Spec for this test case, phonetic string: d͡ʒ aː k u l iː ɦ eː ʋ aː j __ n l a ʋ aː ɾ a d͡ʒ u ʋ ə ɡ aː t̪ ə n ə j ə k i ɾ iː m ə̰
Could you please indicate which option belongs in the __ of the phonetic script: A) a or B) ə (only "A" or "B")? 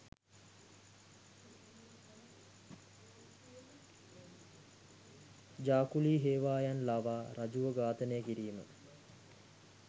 A